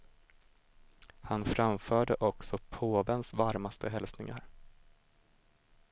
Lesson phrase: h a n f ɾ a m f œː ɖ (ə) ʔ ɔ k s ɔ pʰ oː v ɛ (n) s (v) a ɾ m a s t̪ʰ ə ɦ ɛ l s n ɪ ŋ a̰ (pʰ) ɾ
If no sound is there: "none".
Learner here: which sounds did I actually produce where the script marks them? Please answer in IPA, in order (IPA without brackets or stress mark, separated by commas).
ə, n, v, none